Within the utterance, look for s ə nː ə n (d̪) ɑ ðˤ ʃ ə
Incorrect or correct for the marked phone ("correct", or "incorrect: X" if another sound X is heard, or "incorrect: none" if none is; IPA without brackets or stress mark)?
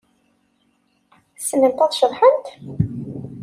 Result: incorrect: t̪